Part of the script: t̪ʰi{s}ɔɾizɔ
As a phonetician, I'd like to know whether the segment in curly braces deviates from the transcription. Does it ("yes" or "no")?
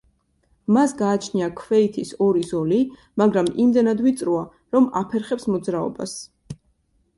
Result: no